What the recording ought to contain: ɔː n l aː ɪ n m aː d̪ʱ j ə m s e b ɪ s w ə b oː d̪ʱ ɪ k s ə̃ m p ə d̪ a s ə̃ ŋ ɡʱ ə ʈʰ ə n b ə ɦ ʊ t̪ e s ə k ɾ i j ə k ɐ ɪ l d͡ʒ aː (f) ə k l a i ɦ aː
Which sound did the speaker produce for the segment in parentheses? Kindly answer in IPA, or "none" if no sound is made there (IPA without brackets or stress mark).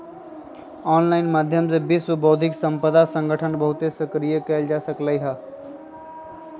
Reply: s